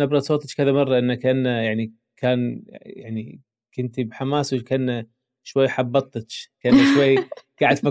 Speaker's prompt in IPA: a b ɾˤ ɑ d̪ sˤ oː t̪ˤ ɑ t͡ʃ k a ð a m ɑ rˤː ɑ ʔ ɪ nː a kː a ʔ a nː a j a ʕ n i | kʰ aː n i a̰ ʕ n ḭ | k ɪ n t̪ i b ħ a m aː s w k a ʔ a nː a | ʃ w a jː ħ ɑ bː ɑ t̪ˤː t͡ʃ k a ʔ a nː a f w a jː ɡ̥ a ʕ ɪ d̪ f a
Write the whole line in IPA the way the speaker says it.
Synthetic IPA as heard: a b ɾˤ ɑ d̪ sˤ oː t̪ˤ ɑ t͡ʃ k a ð a m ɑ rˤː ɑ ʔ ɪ nː a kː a ʔ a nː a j a ʕ n i | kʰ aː n j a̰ ʕ n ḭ | k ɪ n t̪ i b ħ a m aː s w k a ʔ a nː a | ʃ w a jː ħ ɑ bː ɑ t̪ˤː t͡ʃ k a ʔ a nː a ʃ w a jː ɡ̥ a ʕ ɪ d̪ f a